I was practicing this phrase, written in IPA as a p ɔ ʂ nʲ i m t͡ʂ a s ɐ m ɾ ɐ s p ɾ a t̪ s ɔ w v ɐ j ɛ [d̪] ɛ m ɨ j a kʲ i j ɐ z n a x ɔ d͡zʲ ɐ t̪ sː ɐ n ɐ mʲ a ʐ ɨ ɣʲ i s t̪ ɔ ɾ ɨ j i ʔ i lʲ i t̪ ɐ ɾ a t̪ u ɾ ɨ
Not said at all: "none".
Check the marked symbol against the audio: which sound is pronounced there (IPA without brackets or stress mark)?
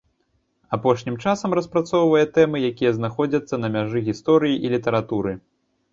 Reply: t̪